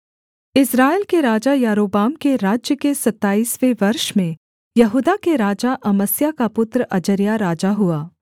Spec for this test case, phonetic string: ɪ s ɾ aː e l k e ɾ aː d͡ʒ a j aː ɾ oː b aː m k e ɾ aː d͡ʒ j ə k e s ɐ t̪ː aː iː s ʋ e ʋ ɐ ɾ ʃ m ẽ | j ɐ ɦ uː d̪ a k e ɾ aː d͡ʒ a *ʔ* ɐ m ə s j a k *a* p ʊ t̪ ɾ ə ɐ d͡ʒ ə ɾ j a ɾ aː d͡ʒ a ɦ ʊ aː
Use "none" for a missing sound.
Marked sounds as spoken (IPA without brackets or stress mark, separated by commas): ʔ, a